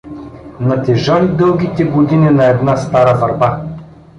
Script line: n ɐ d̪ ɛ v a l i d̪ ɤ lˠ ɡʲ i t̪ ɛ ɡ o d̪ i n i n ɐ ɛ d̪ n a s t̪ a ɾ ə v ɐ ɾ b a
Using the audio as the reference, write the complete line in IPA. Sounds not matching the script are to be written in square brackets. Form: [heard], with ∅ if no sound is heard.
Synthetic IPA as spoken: n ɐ [t̪] ɛ [ʒ] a l i d̪ ɤ lˠ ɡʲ i t̪ ɛ ɡ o d̪ i n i n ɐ ɛ d̪ n a s t̪ a ɾ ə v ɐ ɾ b a